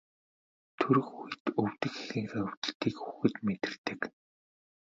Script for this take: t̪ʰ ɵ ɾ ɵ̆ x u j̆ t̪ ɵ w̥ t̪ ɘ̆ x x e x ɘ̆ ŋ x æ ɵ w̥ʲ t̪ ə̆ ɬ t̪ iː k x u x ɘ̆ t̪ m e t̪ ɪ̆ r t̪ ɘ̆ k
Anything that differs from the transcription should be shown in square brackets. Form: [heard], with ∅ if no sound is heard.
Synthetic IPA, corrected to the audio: t̪ʰ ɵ ɾ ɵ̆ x u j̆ t̪ ɵ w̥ t̪ ɘ̆ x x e x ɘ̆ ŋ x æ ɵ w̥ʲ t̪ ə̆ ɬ t̪ iː k x u x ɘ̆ t̪ m e t̪ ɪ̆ r t̪ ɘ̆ k

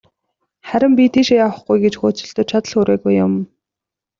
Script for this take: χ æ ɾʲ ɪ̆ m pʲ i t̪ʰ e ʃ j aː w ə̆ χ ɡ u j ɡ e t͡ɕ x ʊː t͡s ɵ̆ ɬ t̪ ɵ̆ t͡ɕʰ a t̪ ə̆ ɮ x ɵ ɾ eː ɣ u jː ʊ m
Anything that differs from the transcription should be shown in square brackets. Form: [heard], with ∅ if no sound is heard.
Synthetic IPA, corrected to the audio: χ æ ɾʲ ɪ̆ m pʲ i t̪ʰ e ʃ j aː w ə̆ χ ɡ u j ɡ e t͡ɕ x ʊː t͡s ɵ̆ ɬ t̪ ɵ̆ t͡ɕʰ a t̪ ə̆ ɮ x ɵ ɾ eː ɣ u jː ʊ m

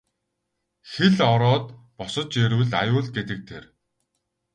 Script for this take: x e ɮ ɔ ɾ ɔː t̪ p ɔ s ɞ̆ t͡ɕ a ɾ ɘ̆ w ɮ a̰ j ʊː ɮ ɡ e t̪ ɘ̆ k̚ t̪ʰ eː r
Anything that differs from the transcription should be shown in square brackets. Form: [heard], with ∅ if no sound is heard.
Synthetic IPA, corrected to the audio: x e ɮ ɔ ɾ ɔː t̪ p ɔ s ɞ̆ t͡ɕ [e] ɾ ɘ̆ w ɮ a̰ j ʊː ɮ ɡ e t̪ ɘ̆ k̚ t̪ʰ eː r

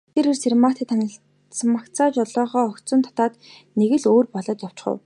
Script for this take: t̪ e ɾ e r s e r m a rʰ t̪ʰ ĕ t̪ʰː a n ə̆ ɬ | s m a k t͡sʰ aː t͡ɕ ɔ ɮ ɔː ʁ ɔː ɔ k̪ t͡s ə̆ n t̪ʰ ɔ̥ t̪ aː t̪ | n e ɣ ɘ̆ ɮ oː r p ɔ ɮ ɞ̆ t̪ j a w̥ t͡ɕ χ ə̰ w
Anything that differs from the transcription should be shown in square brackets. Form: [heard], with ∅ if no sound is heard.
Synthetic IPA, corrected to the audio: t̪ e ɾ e r s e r m a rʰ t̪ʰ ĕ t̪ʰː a n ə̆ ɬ | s m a k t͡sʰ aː t͡ɕ ɔ ɮ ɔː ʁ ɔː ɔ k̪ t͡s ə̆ n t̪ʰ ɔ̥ t̪ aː t̪ | n e ɣ ɘ̆ ɮ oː r p ɔ ɮ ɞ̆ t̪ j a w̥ t͡ɕ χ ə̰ w

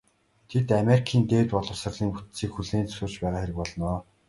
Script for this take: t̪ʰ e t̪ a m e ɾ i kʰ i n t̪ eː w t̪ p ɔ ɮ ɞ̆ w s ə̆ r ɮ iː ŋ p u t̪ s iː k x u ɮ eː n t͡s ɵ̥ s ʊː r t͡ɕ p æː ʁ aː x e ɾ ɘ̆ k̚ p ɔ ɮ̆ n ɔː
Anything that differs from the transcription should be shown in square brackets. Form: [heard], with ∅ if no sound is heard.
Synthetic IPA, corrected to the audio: t̪ʰ e t̪ a m e ɾ i kʰ [iː] n t̪ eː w t̪ p ɔ ɮ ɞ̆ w s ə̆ r ɮ iː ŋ p u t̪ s iː k x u ɮ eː n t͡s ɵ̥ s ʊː r t͡ɕ p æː ʁ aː x e ɾ ɘ̆ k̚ p ɔ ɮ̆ n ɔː

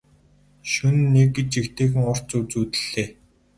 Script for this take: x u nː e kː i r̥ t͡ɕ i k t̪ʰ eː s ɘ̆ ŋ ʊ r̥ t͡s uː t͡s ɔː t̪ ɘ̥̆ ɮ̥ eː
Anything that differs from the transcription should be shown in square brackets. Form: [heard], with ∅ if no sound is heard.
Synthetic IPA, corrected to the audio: [ʃ] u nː e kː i [∅] t͡ɕ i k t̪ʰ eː [x] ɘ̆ ŋ ʊ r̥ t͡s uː t͡s [uː] t̪ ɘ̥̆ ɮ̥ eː

